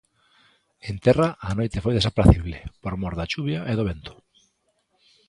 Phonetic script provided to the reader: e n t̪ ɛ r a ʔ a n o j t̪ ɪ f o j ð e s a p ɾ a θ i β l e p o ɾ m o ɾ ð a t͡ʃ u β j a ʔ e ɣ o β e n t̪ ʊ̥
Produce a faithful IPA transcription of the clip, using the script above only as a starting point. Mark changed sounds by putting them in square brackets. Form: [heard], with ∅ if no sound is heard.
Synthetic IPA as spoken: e n t̪ ɛ r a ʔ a n o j t̪ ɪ f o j ð e s a p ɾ a θ i β l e p o ɾ m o ɾ ð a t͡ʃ u β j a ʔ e [ð] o β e n t̪ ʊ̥